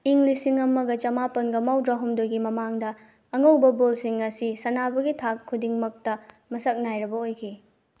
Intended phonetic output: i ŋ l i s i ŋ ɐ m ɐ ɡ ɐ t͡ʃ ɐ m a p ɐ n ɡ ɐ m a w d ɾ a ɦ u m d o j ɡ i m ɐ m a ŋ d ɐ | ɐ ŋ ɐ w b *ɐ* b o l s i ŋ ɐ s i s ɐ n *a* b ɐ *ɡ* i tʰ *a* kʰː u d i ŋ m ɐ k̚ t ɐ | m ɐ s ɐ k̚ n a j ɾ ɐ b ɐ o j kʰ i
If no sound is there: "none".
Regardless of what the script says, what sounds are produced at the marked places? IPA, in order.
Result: ɐ, a, ɡ, a

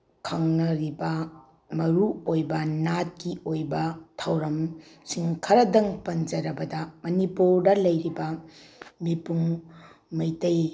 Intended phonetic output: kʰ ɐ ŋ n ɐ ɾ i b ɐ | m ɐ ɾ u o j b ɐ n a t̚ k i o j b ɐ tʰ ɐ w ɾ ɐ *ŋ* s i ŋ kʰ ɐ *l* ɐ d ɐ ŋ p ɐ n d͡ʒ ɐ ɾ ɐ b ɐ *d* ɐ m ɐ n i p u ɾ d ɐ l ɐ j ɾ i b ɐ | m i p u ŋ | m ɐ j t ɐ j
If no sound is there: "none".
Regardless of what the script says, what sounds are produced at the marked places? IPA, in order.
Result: m, ɾ, d

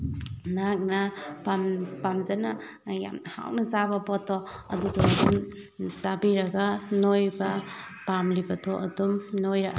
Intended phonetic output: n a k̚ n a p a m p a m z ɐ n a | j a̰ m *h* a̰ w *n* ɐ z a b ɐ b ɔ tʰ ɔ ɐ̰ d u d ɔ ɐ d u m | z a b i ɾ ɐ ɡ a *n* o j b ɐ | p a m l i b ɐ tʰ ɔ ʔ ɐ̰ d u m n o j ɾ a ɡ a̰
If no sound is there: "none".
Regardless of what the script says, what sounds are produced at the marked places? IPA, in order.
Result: h, n, n

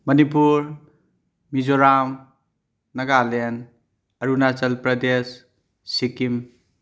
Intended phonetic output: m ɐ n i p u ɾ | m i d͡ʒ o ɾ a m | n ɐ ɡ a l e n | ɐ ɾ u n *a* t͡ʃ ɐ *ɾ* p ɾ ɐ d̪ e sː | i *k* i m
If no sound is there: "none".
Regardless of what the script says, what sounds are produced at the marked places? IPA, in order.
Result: a, l, k

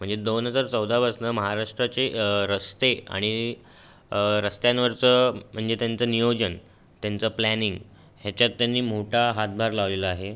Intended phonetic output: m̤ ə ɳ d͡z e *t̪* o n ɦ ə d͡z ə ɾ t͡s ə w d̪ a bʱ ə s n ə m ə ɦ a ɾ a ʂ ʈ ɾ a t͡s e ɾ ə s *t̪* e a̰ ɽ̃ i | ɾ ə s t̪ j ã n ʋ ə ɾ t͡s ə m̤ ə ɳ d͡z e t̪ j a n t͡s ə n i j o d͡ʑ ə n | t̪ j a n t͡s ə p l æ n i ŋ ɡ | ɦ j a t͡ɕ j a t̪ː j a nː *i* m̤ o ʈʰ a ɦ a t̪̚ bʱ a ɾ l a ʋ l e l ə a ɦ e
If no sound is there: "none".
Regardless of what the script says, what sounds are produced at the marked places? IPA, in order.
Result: d̪, t̪, iː

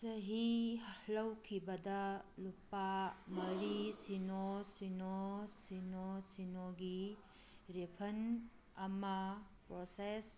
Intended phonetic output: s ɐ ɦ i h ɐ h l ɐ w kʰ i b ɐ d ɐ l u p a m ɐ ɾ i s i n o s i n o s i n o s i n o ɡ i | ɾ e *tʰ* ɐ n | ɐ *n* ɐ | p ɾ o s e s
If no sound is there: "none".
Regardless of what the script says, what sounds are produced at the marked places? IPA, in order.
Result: pʰ, m

